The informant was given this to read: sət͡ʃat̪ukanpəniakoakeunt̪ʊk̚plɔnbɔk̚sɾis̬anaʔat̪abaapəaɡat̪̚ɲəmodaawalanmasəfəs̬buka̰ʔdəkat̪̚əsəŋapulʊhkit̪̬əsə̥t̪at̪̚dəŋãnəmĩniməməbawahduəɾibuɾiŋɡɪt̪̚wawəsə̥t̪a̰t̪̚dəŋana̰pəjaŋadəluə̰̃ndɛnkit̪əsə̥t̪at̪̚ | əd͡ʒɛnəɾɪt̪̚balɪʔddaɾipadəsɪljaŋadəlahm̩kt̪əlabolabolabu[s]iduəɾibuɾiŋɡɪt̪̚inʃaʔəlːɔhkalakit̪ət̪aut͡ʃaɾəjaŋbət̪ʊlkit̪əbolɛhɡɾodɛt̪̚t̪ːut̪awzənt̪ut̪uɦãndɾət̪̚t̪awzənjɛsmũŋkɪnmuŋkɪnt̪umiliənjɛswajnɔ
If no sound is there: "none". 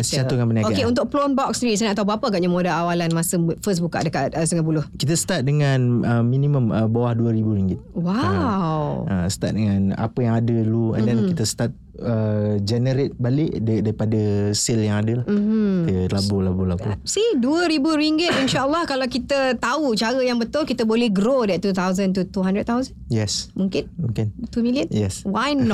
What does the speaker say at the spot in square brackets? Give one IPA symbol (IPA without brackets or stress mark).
s